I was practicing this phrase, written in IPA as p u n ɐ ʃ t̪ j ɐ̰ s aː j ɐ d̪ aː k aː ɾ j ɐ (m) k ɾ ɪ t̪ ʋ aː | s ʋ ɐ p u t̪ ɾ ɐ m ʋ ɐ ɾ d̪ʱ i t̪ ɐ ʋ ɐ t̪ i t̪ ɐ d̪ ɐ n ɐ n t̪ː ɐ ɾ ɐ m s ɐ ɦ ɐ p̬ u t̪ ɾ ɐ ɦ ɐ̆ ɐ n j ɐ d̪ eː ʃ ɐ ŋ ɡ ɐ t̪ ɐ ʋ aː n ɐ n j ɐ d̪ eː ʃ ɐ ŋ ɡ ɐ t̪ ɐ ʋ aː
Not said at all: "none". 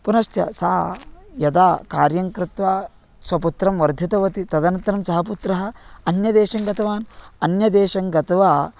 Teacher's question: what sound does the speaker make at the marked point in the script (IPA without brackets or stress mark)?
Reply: ŋ